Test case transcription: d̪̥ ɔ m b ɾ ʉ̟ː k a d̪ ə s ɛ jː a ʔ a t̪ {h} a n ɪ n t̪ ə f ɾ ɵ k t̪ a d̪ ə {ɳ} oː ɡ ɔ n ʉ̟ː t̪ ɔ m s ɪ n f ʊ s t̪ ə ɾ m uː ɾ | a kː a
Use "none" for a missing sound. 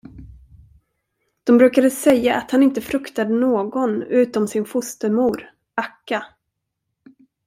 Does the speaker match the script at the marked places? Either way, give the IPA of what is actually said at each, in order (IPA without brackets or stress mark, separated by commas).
h, n